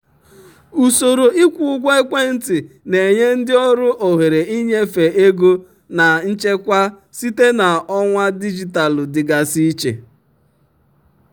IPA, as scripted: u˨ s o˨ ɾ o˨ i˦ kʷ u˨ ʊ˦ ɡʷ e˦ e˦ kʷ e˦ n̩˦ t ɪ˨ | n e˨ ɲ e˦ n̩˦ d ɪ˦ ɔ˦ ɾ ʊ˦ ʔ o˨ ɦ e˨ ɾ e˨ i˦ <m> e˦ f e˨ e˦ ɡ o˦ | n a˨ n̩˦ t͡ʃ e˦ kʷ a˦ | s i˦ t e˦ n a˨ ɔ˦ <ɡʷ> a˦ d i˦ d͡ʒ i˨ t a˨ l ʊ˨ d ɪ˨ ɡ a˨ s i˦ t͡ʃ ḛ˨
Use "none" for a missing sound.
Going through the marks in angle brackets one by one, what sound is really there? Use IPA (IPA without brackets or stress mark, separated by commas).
ɲ, ŋʷ